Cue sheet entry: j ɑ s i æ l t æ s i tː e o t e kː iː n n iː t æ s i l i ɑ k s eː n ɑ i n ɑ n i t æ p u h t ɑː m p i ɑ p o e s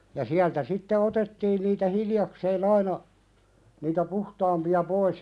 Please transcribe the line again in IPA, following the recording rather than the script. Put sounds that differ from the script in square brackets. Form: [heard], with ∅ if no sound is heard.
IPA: j ɑ s i æ l t æ s i tː e o t e [tː] iː n n iː t æ [h] i l [j] ɑ k s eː n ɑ i n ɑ n [iː] t æ p u h t ɑː m p i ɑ p o [i] s